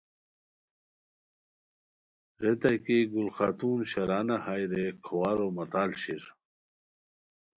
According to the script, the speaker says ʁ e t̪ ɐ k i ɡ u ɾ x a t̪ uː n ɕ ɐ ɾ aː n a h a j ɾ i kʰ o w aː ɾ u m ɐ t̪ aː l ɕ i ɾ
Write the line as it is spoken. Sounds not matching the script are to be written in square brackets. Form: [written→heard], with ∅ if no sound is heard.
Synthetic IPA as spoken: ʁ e t̪ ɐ k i ɡ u [ɾ→l] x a t̪ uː n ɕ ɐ ɾ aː n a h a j ɾ [i→e] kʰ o w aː ɾ [u→o] m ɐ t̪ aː l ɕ i ɾ